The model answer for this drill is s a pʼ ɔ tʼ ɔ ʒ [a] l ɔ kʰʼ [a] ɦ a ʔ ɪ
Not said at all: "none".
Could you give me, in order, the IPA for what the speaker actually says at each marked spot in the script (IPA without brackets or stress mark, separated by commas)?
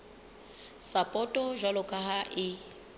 a, a